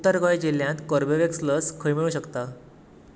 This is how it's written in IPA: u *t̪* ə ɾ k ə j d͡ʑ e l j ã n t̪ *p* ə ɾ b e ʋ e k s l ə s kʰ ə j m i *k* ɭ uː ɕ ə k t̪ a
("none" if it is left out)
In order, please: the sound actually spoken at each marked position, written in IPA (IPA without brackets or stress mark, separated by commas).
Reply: t̪, k, none